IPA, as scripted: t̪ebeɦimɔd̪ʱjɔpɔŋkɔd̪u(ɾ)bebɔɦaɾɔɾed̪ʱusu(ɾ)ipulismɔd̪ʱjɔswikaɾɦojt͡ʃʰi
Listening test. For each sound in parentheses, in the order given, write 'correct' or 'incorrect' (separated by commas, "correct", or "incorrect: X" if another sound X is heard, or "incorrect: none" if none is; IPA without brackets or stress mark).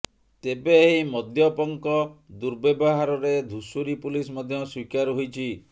correct, correct